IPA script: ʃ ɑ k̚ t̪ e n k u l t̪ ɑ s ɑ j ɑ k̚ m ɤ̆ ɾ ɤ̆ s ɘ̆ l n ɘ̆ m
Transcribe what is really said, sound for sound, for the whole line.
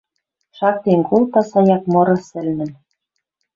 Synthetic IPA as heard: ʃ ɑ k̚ t̪ e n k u l t̪ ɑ s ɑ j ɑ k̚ m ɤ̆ ɾ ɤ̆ s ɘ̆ l n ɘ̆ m

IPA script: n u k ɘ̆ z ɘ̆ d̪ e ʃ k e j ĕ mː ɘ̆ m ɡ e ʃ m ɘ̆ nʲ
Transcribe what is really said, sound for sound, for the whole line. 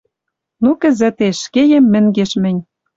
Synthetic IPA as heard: n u k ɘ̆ z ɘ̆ t̪ e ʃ k e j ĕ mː ɘ̆ ŋ ɡ e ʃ m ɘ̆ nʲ

